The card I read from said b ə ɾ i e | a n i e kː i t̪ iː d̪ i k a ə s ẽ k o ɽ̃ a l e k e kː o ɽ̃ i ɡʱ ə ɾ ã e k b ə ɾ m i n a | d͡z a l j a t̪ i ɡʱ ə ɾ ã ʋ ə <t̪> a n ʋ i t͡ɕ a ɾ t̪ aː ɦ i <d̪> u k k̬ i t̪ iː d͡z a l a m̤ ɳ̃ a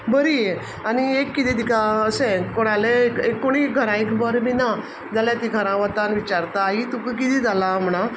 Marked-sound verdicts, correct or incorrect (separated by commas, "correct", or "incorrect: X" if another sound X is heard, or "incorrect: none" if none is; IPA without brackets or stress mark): correct, incorrect: t̪